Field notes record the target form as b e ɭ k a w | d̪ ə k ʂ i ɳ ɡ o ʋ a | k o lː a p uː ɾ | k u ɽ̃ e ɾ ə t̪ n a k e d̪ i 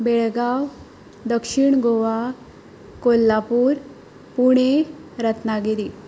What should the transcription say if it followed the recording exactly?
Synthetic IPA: b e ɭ ɡ a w | d̪ ə k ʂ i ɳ ɡ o ʋ a | k o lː a p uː ɾ | p u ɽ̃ e ɾ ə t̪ n a ɡ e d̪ i